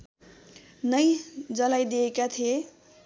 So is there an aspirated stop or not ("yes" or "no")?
yes